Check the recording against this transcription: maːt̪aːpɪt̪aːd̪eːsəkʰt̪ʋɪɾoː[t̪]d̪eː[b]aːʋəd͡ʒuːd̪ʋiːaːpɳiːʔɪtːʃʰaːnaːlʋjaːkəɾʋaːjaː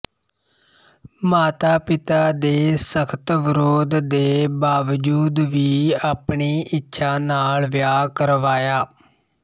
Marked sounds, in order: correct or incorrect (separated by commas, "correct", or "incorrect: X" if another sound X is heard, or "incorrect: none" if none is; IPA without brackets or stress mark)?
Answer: incorrect: d̪, correct